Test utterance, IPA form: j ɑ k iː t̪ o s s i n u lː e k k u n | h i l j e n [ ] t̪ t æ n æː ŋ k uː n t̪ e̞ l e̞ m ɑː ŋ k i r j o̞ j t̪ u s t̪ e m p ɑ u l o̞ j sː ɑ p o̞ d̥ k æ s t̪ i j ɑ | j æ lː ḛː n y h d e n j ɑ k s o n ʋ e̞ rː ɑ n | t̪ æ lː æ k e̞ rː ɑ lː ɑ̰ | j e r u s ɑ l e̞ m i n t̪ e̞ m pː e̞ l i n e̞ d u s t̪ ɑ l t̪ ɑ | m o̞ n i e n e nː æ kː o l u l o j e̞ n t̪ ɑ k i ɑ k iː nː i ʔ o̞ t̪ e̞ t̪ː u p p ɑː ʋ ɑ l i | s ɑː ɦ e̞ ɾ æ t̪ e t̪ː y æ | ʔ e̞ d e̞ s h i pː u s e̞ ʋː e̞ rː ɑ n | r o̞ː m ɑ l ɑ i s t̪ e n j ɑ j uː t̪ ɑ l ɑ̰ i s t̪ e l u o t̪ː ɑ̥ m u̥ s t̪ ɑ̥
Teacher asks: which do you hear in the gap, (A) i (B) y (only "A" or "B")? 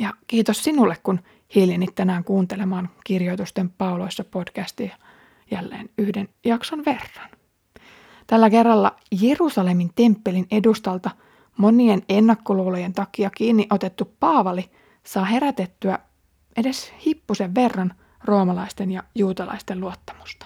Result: A